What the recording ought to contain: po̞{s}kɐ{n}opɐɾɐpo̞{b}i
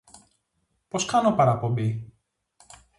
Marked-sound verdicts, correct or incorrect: correct, correct, correct

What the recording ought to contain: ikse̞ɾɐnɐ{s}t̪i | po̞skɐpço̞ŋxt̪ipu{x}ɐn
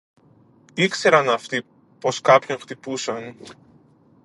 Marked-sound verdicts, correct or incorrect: incorrect: f, incorrect: s

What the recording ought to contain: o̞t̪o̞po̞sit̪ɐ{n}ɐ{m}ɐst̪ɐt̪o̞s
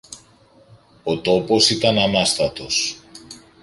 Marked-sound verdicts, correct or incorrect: correct, incorrect: n

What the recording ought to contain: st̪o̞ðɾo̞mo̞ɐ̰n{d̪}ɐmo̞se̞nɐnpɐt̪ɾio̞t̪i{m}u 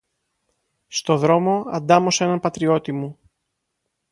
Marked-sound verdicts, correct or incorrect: correct, correct

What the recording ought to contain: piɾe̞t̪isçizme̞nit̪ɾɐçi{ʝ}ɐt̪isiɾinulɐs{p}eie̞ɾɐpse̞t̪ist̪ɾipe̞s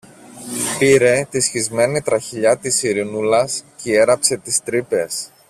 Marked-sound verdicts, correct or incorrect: incorrect: ʎ, incorrect: c

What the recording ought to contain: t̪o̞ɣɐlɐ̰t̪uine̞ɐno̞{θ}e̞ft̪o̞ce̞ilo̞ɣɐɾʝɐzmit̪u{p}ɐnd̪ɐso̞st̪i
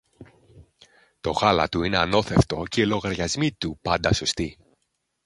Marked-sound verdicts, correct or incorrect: correct, correct

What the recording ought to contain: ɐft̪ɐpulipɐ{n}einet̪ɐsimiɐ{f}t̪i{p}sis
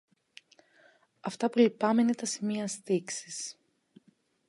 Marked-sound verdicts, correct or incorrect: incorrect: m, incorrect: s, incorrect: k

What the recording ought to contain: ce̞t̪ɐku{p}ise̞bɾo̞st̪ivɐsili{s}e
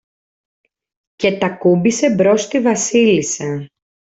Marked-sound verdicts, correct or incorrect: incorrect: b, correct

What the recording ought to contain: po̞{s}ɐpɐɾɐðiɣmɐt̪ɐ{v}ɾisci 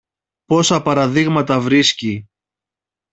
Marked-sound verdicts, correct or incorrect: correct, correct

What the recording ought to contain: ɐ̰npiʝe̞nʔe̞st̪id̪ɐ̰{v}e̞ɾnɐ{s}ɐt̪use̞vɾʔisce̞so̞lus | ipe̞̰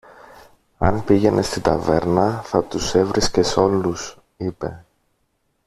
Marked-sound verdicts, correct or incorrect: correct, incorrect: θ

